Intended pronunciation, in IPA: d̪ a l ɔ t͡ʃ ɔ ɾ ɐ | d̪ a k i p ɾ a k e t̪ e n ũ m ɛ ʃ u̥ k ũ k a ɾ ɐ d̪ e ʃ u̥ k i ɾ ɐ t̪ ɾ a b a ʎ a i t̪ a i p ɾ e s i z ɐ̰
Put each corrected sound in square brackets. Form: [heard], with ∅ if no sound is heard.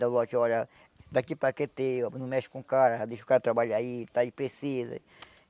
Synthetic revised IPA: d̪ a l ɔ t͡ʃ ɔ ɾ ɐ | d̪ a k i p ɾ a k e t̪ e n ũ m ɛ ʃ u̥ k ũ k a ɾ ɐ d̪ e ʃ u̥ k [a] ɾ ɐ t̪ ɾ a b a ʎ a i t̪ a i p ɾ e s i z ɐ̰